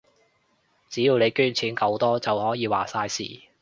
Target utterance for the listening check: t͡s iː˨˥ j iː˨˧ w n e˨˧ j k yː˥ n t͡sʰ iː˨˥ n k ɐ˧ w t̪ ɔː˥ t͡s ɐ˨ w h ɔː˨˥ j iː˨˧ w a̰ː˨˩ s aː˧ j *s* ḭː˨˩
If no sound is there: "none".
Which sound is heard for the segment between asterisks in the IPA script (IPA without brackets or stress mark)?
s